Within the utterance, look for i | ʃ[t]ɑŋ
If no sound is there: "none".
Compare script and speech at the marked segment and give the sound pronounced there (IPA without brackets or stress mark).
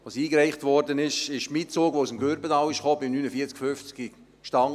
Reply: t